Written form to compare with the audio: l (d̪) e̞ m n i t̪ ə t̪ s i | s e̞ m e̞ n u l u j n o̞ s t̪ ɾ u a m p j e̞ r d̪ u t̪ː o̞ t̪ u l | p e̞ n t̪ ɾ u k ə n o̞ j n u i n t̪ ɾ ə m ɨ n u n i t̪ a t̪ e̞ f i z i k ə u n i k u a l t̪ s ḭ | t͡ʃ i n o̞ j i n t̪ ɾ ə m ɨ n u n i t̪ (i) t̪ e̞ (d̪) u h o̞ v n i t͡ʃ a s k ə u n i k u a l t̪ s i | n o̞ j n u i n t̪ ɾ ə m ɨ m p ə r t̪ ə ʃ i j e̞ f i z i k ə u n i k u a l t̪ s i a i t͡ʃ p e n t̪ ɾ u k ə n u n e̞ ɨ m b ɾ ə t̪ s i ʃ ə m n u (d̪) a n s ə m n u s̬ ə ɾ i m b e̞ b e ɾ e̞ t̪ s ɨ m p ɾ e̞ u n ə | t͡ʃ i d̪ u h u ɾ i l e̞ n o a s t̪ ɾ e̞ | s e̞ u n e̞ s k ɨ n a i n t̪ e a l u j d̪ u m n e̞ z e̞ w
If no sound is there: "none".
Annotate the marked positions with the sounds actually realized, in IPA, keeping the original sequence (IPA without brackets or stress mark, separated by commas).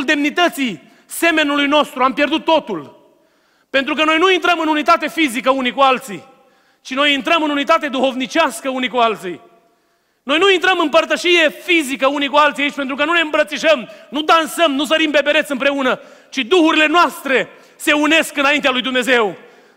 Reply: d̪, a, d̪, d̪